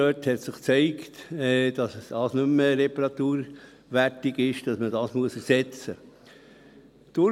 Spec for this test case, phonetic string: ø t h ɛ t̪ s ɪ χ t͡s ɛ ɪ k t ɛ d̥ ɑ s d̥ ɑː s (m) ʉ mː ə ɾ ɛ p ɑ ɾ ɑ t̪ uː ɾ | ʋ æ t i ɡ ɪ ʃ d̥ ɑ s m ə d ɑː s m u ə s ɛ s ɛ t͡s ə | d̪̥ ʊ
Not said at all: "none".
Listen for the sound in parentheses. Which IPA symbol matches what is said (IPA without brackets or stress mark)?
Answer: n